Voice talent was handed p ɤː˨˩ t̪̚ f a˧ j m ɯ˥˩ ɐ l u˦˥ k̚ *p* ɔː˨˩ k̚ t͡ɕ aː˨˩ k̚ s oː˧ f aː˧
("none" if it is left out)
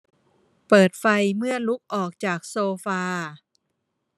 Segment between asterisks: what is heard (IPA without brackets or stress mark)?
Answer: ʔ